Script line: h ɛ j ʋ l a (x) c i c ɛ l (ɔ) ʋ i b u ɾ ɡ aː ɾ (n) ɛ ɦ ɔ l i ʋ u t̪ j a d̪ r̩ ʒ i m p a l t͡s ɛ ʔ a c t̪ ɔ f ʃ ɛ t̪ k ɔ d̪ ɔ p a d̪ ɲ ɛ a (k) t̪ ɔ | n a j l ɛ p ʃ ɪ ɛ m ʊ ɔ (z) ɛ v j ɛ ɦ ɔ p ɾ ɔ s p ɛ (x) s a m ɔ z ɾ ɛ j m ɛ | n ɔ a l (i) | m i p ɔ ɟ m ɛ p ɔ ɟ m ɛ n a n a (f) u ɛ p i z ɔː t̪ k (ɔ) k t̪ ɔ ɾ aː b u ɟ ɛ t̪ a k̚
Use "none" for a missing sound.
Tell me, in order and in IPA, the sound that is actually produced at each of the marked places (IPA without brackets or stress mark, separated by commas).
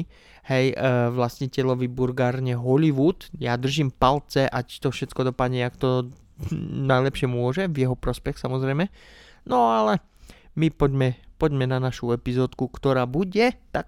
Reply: s, ɔ, ɲ, k, ʒ, x, ɛ, ʃ, u